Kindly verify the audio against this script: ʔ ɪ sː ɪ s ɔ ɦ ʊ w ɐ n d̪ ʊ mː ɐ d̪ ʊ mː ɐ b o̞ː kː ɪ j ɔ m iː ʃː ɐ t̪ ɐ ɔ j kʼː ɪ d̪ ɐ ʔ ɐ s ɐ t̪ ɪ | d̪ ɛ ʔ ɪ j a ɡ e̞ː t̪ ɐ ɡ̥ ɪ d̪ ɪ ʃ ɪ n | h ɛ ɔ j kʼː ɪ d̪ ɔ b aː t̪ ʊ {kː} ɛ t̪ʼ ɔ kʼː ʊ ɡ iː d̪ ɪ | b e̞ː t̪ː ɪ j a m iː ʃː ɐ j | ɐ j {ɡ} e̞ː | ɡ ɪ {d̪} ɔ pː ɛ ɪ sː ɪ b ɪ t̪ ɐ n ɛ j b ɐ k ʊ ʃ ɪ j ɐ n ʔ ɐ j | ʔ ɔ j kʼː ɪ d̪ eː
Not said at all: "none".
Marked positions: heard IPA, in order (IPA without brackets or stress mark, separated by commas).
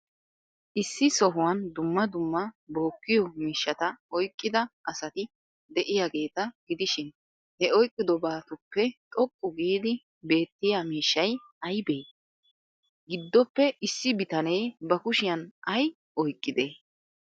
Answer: pː, b, d̪ː